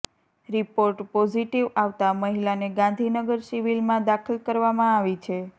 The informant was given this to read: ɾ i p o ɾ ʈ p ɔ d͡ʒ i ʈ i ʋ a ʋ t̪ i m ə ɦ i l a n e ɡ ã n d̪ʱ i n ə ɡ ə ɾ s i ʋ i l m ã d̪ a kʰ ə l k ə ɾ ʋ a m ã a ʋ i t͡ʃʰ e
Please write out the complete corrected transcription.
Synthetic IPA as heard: ɾ i p o ɾ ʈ p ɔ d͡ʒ i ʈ i ʋ a ʋ t̪ a m ə ɦ i l a n e ɡ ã n d̪ʱ i n ə ɡ ə ɾ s i ʋ i l m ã d̪ a kʰ ə l k ə ɾ ʋ a m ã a ʋ i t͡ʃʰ e